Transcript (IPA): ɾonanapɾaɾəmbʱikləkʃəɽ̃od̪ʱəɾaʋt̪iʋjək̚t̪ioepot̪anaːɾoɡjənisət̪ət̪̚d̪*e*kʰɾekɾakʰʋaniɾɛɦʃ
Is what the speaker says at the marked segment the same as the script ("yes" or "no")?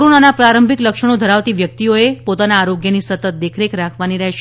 yes